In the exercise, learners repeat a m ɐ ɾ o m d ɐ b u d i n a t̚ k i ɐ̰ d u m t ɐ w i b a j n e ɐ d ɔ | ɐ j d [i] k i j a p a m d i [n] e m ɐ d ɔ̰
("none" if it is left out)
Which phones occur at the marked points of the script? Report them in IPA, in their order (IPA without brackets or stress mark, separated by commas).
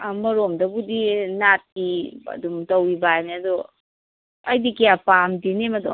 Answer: i, n